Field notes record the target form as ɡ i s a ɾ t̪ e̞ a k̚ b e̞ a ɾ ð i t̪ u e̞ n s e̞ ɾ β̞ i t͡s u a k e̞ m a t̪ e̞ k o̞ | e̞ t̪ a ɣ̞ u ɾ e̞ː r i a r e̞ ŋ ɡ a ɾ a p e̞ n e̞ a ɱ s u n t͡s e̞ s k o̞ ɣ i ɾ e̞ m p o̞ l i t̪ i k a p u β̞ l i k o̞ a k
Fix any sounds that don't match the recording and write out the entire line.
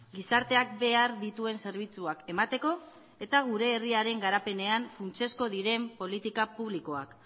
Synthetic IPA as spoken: ɡ i s a ɾ t̪ e̞ a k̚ b e̞ a ɾ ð i t̪ u e̞ n s e̞ ɾ β̞ i t͡s u a k e̞ m a t̪ e̞ k o̞ | e̞ t̪ a ɣ̞ u ɾ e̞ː r i a ɾ e̞ ŋ ɡ a ɾ a p e̞ n e̞ a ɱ f u n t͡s e̞ s k o̞ ð i ɾ e̞ m p o̞ l i t̪ i k a p u β̞ l i k o̞ a k